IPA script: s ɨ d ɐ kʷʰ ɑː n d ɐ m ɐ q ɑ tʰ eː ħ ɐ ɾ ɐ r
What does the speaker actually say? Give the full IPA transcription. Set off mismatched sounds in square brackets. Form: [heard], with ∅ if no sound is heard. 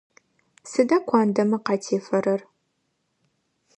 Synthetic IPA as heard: s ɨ d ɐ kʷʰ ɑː n d ɐ m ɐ q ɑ tʰ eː [f] ɐ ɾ ɐ r

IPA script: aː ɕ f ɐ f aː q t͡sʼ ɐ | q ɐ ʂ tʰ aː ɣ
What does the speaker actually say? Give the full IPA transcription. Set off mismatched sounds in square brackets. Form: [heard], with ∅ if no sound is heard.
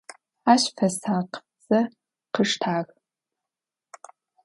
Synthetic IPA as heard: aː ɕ f ɐ [s] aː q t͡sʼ ɐ | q [ə] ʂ tʰ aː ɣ

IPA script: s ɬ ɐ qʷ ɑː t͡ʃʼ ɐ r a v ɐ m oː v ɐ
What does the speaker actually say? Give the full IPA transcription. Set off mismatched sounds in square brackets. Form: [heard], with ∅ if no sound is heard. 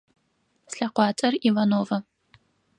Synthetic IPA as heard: s ɬ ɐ qʷ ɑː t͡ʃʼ ɐ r [i] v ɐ [n] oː v ɐ

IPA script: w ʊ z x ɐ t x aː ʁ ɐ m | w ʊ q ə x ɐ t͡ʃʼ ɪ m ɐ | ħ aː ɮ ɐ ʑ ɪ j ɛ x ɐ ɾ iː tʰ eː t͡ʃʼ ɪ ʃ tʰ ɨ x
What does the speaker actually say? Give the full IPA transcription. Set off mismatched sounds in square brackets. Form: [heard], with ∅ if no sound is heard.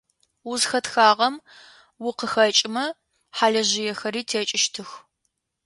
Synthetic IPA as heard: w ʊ z x ɐ t x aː ʁ ɐ m | w ʊ q ə x ɐ t͡ʃʼ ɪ m ɐ | ħ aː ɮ ɐ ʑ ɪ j ɛ x ɐ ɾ iː tʰ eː t͡ʃʼ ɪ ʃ tʰ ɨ x

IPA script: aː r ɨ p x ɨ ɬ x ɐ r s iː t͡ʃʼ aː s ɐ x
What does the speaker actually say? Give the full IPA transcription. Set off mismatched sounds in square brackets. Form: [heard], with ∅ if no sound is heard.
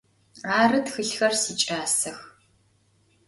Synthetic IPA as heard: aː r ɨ [t] x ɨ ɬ x ɐ r s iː t͡ʃʼ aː s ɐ x

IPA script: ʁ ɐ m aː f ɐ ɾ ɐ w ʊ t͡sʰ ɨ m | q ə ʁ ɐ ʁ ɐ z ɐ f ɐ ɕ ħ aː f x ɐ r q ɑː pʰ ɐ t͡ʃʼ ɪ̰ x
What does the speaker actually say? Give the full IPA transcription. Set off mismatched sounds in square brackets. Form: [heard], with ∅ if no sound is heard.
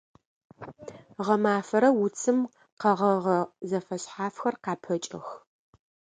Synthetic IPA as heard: ʁ ɐ m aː f ɐ ɾ ɐ w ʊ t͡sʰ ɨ m | q [ɐ] ʁ ɐ ʁ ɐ z ɐ f ɐ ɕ ħ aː f x ɐ r q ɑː pʰ ɐ t͡ʃʼ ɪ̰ x

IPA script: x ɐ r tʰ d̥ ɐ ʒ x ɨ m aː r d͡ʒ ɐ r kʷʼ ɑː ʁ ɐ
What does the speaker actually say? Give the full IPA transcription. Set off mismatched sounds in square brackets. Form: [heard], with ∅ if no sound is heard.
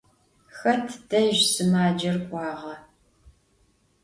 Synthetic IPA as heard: x ɐ r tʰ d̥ ɐ ʒ [s] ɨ m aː [∅] d͡ʒ ɐ r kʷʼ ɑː ʁ ɐ

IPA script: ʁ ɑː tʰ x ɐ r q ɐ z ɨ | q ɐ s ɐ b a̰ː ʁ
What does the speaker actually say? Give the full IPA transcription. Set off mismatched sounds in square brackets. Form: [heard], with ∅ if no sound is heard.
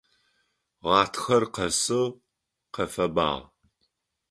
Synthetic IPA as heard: ʁ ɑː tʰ x ɐ r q ɐ [s] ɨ | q ɐ [f] ɐ b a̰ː ʁ

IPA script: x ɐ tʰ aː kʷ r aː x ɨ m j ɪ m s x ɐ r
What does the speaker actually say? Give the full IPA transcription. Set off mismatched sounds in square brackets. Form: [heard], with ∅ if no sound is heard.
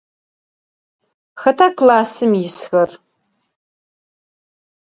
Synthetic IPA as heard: x ɐ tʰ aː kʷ [l] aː [s] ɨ m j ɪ [∅] s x ɐ r

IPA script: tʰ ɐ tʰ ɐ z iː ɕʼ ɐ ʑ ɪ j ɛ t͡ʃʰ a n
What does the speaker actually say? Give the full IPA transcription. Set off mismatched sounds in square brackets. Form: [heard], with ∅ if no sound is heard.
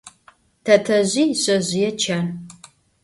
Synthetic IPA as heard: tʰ ɐ tʰ ɐ [ʑ] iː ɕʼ ɐ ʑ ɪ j ɛ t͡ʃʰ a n

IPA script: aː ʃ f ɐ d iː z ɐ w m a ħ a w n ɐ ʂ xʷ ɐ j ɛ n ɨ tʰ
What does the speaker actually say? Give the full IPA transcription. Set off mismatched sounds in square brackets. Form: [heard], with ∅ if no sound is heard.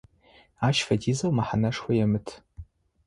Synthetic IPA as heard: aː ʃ f ɐ d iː z ɐ w m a ħ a [∅] n ɐ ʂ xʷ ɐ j ɛ [m] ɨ tʰ

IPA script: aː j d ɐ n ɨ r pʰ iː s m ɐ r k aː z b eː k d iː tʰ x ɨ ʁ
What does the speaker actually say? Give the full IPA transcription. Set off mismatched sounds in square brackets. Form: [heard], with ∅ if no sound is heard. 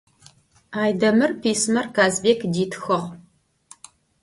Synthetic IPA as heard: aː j d ɐ [m] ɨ r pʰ iː s m ɐ r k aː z b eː k d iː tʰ x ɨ ʁ

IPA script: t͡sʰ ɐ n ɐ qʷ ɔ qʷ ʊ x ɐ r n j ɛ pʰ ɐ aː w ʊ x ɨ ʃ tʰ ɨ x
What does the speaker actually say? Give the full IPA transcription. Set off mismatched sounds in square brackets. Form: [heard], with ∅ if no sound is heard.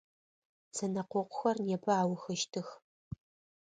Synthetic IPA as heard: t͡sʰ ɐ n ɐ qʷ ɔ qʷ ʊ x ɐ r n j ɛ pʰ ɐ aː w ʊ x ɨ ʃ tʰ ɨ x

